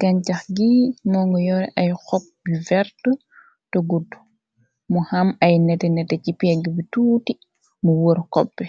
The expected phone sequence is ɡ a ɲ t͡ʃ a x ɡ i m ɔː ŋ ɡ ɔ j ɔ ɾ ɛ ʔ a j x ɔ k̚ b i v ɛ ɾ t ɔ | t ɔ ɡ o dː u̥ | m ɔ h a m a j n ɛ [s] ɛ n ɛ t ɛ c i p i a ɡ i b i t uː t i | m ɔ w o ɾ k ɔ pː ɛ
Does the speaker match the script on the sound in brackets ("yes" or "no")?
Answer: no